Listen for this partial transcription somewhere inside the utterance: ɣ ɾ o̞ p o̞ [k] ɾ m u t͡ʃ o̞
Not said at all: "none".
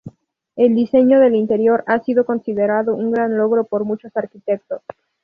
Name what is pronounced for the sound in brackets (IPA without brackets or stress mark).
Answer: none